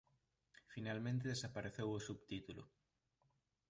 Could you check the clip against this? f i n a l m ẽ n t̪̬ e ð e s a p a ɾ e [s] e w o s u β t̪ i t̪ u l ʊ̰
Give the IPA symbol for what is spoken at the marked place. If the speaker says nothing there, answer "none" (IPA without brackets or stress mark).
θ